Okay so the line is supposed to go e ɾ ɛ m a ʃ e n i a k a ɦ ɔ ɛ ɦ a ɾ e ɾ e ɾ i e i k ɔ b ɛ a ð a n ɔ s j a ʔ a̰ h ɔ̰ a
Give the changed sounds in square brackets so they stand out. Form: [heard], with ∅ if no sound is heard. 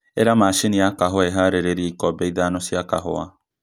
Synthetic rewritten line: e ɾ [a] m a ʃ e n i a k a ɦ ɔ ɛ ɦ a ɾ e ɾ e ɾ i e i k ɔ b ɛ [i] ð a n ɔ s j a [k] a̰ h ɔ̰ a

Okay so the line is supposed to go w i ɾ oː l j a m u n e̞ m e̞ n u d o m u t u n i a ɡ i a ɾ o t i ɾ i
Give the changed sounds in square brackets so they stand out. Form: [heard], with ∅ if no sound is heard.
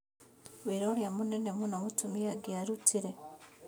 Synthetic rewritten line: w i ɾ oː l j a m u n e̞ [n] e̞ [m] u [n] o m u t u [m] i a ɡ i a ɾ [u] t i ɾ [e]

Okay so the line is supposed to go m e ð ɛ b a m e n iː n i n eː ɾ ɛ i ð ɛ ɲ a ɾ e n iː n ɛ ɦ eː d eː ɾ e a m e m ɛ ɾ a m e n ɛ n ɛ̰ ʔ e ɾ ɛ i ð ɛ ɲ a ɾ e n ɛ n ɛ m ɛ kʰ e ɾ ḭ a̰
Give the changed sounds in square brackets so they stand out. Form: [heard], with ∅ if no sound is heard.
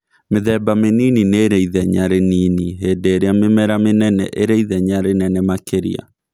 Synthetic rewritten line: m e ð ɛ b a m e n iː n i n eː ɾ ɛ i ð ɛ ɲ a ɾ e n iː n [i] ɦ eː d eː ɾ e a m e m ɛ ɾ a m e n ɛ n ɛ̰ ʔ e ɾ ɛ i ð ɛ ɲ a ɾ e n ɛ n ɛ m [a] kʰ e ɾ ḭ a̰

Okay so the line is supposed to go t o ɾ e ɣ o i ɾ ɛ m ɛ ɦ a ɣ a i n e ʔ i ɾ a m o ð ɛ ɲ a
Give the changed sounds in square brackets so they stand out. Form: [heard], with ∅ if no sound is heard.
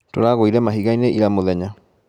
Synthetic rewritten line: t o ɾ [a] ɣ o i ɾ ɛ m [a] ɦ [i] ɣ a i n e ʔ i ɾ a m o ð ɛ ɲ a

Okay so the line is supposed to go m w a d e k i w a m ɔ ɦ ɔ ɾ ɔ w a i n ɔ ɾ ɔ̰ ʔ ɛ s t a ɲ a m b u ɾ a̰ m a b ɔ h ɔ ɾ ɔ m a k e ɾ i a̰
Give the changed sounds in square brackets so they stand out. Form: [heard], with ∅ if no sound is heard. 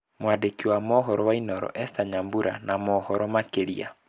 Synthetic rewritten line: m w a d e k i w a m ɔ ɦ ɔ ɾ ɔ w a i n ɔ ɾ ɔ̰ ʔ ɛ s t a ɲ a m b u ɾ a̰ [n] a [m] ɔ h ɔ ɾ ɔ m a k e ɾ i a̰

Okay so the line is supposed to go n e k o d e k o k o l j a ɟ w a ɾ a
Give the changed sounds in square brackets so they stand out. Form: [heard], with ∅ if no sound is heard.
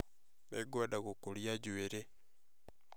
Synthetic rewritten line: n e [ɡ] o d [a] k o k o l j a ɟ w [e] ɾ [e]

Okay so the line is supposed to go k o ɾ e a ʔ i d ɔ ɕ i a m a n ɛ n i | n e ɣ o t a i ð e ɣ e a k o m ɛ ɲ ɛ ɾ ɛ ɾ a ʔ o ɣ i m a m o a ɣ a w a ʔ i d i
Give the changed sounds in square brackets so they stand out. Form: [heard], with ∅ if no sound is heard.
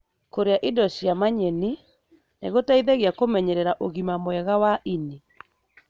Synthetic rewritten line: k o ɾ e a ʔ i d ɔ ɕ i a m a [ɲ] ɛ n i | n e ɣ o t a i ð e ɣ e a k o m ɛ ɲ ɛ ɾ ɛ ɾ a ʔ o ɣ i m a m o [ɛ] ɣ a w a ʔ i [n] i

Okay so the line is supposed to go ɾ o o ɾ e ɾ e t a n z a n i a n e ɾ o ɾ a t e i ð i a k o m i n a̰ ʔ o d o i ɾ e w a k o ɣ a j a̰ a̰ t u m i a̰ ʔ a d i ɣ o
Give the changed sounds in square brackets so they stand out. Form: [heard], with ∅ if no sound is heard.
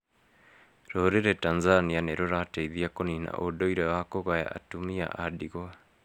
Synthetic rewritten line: ɾ o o ɾ e ɾ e t a n z a n i a n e ɾ o ɾ a t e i ð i a k o [n] i n a̰ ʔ o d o i ɾ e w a k o ɣ a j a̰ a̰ t u m i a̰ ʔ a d i ɣ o

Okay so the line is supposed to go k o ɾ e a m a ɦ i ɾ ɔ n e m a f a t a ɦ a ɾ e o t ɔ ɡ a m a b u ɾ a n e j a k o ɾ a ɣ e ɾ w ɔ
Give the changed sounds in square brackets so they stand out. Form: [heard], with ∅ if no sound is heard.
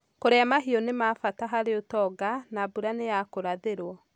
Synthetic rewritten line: k o ɾ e a m a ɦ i [∅] ɔ n e m a f a t a ɦ a ɾ e o t ɔ ɡ a [n] a b u ɾ a n e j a k o ɾ a [ð] e ɾ w ɔ

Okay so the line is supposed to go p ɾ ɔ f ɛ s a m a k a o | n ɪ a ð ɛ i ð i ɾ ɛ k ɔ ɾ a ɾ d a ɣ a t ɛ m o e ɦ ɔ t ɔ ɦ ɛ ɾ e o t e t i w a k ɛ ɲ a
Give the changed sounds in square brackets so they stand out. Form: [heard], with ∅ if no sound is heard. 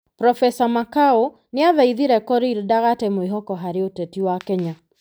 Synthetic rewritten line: p ɾ ɔ f ɛ s a m a k a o | n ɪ a ð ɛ i ð i ɾ ɛ k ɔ ɾ [i] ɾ d a ɣ a t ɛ m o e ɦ ɔ [k] ɔ ɦ [a] ɾ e o t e t i w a k ɛ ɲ a

